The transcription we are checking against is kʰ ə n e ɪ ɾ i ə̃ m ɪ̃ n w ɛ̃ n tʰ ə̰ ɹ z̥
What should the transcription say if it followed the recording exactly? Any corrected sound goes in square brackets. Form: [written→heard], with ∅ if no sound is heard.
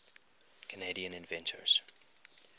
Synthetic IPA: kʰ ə n e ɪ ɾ i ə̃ [m→n] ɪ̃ n [w→v] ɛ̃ n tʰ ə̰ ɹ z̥